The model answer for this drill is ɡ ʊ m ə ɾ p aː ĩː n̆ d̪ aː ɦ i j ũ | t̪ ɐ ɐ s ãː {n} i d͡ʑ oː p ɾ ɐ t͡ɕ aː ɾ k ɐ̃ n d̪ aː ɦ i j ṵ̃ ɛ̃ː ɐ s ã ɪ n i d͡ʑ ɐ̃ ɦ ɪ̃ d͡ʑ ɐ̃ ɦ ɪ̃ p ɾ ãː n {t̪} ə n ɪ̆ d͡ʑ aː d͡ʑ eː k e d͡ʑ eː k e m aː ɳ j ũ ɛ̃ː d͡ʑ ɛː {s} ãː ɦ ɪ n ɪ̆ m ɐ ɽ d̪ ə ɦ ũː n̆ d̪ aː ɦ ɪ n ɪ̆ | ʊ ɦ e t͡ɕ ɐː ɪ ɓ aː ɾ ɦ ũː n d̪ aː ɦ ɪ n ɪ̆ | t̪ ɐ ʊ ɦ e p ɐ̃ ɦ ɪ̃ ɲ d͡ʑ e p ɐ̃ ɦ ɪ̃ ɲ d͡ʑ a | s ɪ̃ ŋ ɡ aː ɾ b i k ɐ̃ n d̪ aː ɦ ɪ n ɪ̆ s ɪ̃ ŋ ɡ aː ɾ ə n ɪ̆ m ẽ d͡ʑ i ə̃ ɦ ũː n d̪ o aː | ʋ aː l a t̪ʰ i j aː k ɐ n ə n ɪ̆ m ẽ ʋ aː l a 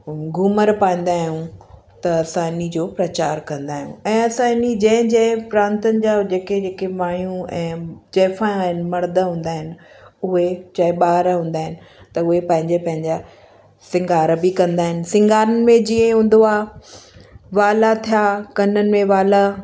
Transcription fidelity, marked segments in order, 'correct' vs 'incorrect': correct, correct, incorrect

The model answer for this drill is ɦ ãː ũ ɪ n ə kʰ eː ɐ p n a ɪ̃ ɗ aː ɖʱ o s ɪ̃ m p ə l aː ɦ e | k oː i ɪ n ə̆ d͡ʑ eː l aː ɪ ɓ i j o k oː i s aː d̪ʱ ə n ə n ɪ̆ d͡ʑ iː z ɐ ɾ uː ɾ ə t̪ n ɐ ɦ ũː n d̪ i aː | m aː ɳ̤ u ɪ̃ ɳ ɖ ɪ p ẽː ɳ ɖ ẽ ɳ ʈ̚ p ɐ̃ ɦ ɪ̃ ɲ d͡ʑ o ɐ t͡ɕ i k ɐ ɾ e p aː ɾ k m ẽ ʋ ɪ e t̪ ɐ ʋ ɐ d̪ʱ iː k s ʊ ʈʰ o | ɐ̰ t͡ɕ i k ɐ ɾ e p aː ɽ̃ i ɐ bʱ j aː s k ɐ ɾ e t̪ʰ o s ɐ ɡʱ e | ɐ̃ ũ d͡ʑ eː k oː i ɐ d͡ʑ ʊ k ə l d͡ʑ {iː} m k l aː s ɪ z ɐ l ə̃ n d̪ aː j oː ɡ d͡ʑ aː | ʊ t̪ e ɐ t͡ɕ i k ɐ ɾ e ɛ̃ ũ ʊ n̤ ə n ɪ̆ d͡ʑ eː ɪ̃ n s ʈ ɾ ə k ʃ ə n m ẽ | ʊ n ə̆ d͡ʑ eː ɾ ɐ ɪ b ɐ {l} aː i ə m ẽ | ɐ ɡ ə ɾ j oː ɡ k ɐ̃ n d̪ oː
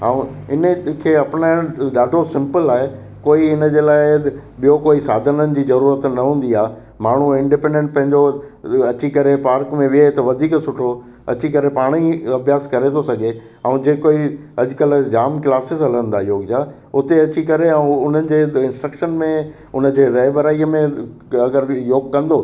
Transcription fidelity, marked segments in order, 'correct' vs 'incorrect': incorrect, incorrect

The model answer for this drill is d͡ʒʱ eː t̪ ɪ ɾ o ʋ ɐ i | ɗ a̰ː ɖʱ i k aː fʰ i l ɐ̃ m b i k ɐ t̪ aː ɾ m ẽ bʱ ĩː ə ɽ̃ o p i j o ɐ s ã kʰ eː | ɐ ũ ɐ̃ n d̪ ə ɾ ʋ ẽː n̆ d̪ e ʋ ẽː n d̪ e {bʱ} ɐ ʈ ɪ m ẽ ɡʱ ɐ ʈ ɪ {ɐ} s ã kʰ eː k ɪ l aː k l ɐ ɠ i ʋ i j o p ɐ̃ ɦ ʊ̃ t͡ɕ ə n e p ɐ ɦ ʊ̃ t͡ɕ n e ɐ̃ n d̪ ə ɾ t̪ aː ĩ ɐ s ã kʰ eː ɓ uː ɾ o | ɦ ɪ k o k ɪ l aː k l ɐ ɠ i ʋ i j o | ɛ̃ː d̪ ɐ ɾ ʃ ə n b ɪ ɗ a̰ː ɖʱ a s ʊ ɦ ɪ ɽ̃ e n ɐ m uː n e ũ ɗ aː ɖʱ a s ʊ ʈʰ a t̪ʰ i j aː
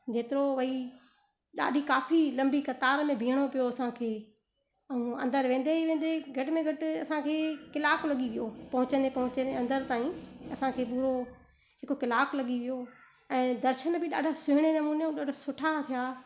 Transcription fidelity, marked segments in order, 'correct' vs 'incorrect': incorrect, correct

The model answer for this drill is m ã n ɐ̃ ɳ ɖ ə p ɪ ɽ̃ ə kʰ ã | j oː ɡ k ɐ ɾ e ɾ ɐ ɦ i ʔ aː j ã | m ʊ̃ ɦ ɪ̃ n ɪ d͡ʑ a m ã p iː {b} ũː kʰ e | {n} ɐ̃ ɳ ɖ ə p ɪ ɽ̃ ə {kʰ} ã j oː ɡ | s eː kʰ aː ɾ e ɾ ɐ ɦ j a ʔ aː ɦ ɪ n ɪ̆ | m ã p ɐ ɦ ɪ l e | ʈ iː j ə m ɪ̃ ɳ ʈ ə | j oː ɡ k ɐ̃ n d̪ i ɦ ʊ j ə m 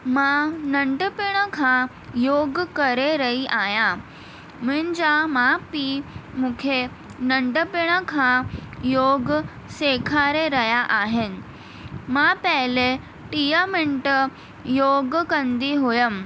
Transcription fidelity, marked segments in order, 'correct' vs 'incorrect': incorrect, correct, correct

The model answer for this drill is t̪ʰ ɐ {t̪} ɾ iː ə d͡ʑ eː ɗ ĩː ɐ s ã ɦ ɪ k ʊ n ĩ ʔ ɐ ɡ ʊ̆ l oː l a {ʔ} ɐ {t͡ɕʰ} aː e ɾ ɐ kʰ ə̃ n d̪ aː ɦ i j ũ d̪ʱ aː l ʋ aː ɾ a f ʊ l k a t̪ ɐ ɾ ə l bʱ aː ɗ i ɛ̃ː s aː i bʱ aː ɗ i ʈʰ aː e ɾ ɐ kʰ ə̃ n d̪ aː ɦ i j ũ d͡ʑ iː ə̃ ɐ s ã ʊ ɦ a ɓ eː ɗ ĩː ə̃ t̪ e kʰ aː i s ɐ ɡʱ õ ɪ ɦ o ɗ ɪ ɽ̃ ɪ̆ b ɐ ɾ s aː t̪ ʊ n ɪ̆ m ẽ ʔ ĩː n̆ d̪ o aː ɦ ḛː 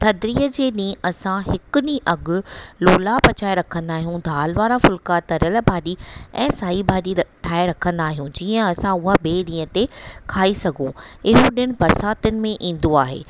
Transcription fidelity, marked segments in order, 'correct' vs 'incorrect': incorrect, incorrect, incorrect

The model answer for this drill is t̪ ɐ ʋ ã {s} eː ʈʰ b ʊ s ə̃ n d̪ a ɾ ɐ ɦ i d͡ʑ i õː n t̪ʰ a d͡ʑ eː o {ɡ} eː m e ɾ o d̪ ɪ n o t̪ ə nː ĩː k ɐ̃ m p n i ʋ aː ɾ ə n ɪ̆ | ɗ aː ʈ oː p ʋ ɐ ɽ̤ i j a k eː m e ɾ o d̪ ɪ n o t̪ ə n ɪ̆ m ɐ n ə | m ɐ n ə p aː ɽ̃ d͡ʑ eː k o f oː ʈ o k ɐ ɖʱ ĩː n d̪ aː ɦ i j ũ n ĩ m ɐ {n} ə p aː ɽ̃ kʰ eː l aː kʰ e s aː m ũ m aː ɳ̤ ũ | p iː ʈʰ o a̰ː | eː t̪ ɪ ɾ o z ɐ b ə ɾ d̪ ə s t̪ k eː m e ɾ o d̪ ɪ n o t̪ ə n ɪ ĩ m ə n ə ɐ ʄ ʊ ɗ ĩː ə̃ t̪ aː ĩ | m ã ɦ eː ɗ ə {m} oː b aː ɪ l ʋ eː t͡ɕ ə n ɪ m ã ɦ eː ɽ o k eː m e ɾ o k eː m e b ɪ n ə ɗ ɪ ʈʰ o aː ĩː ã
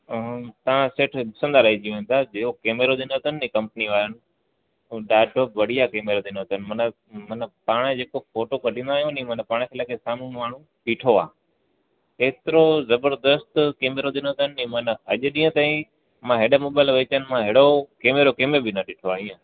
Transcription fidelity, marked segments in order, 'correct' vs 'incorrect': correct, incorrect, correct, correct

